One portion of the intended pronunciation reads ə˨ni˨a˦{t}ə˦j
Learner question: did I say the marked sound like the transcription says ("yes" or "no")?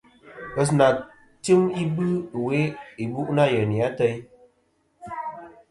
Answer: yes